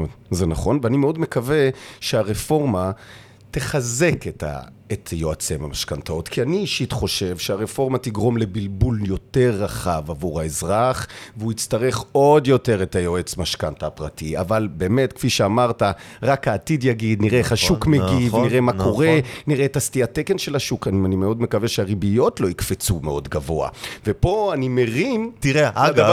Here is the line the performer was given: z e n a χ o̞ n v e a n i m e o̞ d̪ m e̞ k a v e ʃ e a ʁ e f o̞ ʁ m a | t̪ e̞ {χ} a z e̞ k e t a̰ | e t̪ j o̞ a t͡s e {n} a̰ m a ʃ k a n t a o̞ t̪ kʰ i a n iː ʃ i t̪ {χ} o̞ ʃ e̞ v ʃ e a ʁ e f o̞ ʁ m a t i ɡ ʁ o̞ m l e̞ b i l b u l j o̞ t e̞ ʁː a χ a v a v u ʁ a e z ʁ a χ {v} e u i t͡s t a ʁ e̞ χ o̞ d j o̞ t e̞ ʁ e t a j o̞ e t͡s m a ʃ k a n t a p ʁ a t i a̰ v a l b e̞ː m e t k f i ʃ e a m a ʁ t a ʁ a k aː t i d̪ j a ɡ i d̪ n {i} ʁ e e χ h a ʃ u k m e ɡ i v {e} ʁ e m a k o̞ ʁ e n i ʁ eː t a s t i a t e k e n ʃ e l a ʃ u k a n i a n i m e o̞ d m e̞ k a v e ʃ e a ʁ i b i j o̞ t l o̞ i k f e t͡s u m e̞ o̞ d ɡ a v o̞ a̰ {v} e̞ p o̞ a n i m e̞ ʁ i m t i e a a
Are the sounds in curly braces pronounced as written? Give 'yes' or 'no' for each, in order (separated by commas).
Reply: yes, no, yes, yes, yes, no, yes